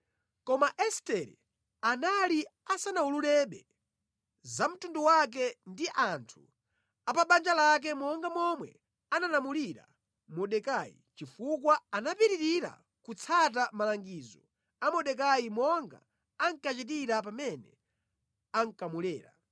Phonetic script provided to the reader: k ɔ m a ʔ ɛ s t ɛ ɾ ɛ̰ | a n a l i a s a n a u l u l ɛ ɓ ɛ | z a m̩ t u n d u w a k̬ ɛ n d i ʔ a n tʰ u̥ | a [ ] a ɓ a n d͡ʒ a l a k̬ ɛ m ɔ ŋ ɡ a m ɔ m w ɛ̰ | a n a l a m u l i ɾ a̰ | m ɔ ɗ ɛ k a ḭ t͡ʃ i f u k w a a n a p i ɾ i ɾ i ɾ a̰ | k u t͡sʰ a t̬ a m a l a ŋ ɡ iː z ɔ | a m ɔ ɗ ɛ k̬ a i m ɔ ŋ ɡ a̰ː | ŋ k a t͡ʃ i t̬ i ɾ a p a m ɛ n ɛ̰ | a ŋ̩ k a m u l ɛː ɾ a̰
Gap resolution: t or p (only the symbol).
p